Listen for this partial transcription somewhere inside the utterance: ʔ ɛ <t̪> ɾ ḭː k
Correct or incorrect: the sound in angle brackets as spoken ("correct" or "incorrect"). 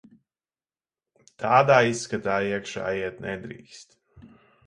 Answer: incorrect